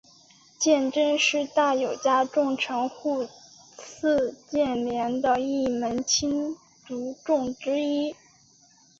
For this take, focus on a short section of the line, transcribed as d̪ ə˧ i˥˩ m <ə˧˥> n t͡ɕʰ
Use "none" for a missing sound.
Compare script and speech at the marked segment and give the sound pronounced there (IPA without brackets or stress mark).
ə˧˥